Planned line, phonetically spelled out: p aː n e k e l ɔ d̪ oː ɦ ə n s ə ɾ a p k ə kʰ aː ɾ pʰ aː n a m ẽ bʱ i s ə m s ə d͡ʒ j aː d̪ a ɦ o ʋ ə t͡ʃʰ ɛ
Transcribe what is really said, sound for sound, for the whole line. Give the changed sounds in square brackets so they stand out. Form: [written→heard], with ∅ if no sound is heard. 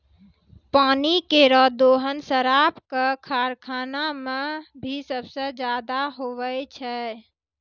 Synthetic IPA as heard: p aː n [e→i] k e [l→ɾ] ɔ d̪ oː ɦ ə n s ə ɾ a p k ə kʰ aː ɾ [pʰ→kʰ] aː n a m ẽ bʱ i s ə [m→b] s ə d͡ʒ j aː d̪ a ɦ o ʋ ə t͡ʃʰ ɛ